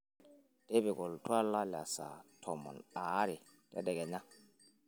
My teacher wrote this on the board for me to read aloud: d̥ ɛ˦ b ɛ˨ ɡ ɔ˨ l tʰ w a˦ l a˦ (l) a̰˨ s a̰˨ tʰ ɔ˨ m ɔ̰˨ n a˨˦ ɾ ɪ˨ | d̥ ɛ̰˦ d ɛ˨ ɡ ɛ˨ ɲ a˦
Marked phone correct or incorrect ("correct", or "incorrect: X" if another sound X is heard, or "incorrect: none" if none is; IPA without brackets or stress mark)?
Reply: correct